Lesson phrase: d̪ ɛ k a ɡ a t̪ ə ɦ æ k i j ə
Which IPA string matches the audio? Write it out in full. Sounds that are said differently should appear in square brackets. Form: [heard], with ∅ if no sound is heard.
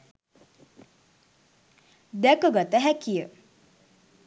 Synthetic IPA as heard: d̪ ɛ k [ə] ɡ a t̪ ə ɦ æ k i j ə